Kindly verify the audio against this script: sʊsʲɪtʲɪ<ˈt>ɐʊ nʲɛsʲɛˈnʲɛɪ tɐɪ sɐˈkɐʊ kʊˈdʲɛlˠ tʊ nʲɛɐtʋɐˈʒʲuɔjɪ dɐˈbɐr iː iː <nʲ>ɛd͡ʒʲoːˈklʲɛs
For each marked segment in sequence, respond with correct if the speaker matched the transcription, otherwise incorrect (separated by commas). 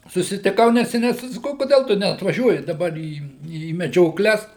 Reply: incorrect, incorrect